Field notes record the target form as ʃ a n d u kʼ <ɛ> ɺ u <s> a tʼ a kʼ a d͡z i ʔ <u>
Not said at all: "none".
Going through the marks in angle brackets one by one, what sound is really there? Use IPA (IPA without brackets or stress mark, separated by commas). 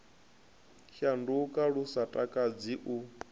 a, s, u